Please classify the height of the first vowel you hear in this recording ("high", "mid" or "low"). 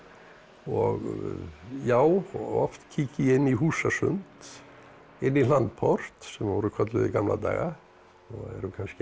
mid